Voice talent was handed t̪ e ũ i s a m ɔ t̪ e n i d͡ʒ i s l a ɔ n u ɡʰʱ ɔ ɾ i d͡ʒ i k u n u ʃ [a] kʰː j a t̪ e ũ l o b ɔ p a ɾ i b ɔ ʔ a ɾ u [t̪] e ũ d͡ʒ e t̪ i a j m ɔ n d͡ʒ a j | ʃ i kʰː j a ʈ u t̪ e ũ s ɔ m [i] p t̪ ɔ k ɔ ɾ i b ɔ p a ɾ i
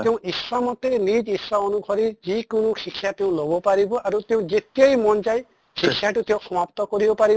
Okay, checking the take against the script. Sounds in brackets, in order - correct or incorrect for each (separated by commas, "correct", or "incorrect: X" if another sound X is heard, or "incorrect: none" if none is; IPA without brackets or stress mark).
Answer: incorrect: i, correct, incorrect: a